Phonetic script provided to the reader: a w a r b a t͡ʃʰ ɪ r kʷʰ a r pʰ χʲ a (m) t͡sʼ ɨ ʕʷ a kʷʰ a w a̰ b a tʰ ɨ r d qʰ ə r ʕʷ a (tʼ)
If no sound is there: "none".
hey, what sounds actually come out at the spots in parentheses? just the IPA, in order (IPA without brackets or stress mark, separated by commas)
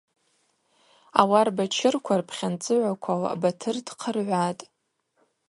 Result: n, tʼ